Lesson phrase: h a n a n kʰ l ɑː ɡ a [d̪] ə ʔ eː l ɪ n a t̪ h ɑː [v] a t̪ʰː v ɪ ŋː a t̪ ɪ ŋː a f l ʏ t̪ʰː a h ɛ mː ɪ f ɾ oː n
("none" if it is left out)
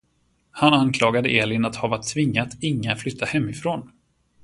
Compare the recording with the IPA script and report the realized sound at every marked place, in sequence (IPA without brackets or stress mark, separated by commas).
d̪, v